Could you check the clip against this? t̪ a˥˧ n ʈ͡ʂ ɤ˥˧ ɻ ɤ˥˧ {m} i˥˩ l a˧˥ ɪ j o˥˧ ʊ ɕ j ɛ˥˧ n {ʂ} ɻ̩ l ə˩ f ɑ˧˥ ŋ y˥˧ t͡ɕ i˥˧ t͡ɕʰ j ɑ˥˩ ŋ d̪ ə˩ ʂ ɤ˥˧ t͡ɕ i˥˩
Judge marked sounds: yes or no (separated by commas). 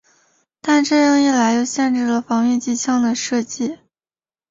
no, no